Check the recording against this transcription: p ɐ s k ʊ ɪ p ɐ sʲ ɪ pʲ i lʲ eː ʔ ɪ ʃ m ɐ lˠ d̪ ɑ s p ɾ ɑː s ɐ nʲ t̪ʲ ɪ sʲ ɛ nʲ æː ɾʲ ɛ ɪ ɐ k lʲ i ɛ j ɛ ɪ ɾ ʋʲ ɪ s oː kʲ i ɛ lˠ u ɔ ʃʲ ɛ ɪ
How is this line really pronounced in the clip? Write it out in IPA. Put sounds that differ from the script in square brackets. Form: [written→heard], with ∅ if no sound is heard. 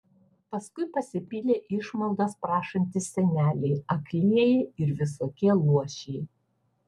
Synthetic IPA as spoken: p ɐ s k ʊ ɪ p ɐ sʲ ɪ pʲ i lʲ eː ʔ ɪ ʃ m ɐ lˠ d̪ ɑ s p ɾ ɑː [s→ʃ] ɐ nʲ t̪ʲ ɪ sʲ ɛ nʲ æː [ɾʲ→lʲ] ɛ ɪ ɐ k lʲ i ɛ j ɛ ɪ ɾ ʋʲ ɪ s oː kʲ i ɛ lˠ u ɔ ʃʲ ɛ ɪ